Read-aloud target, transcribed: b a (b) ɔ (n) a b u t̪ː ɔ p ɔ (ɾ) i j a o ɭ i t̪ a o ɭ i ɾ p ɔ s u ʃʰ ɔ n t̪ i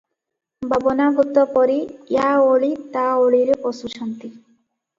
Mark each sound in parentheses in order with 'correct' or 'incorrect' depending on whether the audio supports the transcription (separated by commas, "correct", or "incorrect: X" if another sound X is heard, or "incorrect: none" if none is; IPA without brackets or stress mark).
correct, correct, correct